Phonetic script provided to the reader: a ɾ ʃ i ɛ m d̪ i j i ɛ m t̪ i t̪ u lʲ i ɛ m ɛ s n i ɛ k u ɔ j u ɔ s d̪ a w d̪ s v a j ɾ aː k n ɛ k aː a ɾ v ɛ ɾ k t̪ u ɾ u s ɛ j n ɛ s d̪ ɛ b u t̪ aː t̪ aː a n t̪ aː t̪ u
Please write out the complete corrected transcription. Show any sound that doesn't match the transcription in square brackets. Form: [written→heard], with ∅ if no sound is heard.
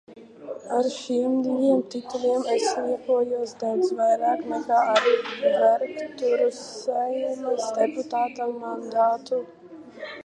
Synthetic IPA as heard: a ɾ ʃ i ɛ m d̪ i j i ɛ m t̪ i t̪ u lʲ i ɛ m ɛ s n i ɛ k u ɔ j u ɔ s d̪ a w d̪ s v a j ɾ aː k n ɛ k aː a ɾ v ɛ ɾ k t̪ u ɾ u s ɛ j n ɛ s d̪ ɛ [b→p] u t̪ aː t̪ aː a n [t̪→d̪] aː t̪ u

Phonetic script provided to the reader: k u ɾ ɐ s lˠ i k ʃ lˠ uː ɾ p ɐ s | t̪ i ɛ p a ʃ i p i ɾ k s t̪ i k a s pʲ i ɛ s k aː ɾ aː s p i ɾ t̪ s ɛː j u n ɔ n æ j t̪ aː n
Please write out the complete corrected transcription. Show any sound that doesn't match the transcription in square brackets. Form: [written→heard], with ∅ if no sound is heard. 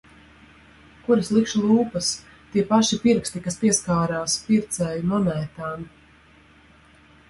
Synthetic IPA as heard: k u ɾ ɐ s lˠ i k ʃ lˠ uː [ɾ→∅] p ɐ s | t̪ i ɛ p a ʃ i p i ɾ k s t̪ i k a s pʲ i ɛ s k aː ɾ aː s p i ɾ t̪ s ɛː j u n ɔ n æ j t̪ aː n

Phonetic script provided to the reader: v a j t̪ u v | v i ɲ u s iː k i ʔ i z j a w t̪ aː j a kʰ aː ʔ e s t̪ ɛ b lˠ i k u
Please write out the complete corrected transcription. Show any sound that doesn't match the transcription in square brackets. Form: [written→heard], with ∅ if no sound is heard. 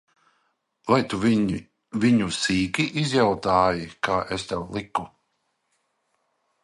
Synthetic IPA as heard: v a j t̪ u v | v i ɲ u s iː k i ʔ i z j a w t̪ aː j [a→i] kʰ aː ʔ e s t̪ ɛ [b→w] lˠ i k u

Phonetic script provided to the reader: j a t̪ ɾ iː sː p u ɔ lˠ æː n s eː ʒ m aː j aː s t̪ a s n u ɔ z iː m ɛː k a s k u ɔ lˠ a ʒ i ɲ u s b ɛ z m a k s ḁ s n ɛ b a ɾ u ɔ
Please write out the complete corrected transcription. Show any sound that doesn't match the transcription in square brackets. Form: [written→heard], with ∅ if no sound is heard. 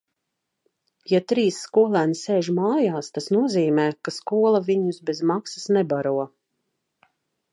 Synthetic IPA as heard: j a t̪ ɾ iː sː [p→k] u ɔ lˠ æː n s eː ʒ m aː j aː s t̪ a s n u ɔ z iː m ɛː k a s k u ɔ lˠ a [ʒ→v] i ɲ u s b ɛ z m a k s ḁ s n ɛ b a ɾ u ɔ

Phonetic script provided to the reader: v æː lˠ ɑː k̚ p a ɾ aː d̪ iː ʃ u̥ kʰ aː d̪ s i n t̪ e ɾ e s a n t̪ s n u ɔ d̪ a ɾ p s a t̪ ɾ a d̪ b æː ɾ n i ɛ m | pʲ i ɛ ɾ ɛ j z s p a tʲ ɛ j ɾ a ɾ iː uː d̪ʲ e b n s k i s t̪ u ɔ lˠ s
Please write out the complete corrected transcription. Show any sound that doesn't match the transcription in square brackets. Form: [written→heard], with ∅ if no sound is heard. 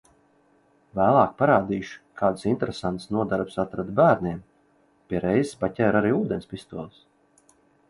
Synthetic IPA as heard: v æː lˠ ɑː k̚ p a ɾ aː d̪ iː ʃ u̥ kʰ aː d̪ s i n t̪ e ɾ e s a n t̪ s n u ɔ d̪ a ɾ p s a t̪ ɾ a d̪ b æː ɾ n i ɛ m | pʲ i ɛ ɾ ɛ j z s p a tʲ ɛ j ɾ a ɾ iː uː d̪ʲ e [b→∅] n s [k→p] i s t̪ u ɔ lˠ s

